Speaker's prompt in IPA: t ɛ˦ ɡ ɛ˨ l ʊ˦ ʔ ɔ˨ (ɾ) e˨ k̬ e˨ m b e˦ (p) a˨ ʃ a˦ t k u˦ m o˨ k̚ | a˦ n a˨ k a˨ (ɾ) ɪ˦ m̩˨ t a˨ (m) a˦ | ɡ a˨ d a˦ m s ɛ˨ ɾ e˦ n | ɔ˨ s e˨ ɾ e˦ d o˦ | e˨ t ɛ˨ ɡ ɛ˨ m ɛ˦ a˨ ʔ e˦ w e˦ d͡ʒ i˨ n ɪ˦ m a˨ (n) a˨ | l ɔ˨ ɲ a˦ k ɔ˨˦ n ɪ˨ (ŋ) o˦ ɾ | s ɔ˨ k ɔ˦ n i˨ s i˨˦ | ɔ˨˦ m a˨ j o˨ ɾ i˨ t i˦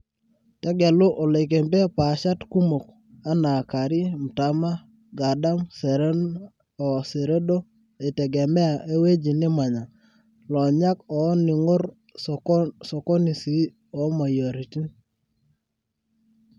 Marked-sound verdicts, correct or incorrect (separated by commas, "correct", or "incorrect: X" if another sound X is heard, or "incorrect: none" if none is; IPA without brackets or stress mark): incorrect: l, correct, correct, correct, incorrect: ɲ, correct